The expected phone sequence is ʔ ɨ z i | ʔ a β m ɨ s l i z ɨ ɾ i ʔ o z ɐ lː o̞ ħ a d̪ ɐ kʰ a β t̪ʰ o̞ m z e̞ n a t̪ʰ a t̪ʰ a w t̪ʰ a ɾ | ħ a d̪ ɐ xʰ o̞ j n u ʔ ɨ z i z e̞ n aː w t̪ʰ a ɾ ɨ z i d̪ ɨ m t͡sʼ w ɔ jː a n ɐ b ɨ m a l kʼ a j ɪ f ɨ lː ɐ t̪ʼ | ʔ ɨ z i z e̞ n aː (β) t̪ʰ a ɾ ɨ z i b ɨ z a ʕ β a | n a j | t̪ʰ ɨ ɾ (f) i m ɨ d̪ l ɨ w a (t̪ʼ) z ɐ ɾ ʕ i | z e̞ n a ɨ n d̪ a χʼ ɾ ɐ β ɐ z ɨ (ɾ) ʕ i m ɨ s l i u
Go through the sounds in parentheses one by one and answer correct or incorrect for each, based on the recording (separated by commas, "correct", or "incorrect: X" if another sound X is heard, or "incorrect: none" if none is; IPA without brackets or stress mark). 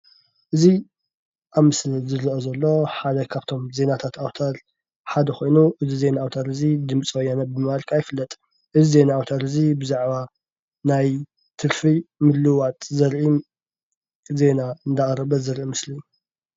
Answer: incorrect: w, correct, correct, correct